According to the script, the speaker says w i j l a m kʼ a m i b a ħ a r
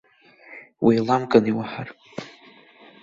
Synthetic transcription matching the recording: w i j l a m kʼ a n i w a ħ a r